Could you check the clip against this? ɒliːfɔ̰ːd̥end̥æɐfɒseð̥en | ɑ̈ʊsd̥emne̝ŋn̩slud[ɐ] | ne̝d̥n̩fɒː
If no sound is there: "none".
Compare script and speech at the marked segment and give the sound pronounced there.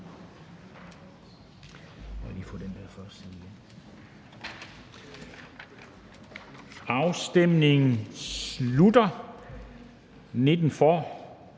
ɐ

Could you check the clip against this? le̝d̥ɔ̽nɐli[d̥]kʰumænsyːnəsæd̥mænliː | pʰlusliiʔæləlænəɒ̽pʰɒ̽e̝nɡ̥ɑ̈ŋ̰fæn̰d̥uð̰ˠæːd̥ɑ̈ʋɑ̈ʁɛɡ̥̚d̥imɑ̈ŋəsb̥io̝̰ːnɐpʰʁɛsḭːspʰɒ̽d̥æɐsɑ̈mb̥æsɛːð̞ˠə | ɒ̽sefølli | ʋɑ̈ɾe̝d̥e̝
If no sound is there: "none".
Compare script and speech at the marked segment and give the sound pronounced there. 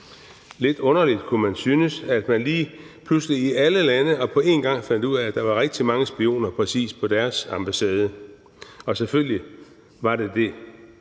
d̥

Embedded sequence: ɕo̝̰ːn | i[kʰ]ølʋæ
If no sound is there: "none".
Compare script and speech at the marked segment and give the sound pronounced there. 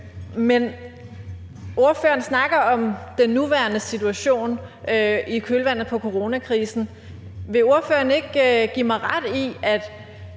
kʰ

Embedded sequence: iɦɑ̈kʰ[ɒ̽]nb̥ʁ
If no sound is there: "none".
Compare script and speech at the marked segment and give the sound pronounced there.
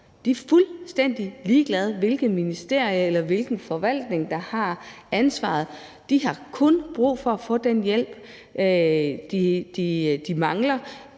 ɔ̽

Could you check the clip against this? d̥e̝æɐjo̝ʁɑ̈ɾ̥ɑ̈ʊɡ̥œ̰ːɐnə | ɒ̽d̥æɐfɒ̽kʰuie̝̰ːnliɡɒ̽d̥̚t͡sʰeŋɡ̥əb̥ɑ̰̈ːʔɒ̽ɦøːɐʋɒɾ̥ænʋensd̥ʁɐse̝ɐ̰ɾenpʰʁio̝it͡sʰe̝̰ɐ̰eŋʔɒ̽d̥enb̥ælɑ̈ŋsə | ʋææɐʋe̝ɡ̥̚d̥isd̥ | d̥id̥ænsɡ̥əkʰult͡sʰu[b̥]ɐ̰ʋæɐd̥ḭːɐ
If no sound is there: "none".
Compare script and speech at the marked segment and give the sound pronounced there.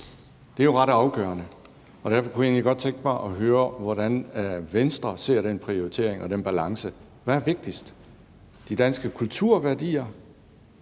none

